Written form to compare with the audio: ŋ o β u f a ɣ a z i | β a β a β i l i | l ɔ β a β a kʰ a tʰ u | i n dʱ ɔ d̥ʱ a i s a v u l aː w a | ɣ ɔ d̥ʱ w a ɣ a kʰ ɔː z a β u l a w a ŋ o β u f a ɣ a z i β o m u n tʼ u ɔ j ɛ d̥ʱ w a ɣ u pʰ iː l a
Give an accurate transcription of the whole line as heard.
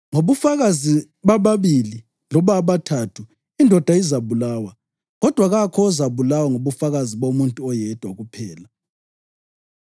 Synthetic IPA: ŋ o β u f a ɣ a z i | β a β a β i l i | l ɔ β a β a tʰ a tʰ u | i n dʱ ɔ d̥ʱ a i z a β u l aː w a | ɣ ɔ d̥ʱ w a ɣ a kʰ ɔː z a β u l a w a ŋ o β u f a ɣ a z i β o m u n tʼ u ɔ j ɛ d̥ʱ w a ɣ u pʰ ɛː l a